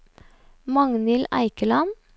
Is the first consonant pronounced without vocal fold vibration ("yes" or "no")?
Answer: no